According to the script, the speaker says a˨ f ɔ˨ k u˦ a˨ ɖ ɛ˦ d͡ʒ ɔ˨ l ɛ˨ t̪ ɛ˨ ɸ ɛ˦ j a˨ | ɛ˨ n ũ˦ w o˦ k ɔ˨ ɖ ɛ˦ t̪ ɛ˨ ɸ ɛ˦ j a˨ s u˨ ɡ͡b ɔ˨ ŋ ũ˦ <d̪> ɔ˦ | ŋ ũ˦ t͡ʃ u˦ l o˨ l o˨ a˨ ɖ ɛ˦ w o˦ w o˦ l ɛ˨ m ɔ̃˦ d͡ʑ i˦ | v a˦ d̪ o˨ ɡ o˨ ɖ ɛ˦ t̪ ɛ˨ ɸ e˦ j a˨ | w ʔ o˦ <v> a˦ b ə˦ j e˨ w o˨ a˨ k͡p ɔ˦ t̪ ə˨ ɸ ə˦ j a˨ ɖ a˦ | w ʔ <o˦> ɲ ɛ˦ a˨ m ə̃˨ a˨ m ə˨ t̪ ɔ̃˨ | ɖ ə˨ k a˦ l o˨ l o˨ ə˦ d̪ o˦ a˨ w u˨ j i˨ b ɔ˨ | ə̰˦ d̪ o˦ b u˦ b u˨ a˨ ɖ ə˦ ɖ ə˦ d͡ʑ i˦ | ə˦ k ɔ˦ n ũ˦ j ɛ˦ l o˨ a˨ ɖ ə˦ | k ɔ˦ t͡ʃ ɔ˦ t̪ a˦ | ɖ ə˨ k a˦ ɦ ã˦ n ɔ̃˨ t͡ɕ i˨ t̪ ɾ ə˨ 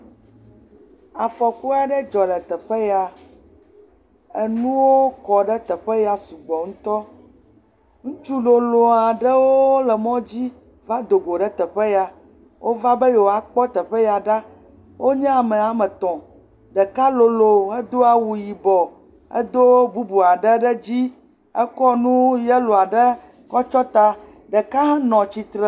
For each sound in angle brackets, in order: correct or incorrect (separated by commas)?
incorrect, correct, correct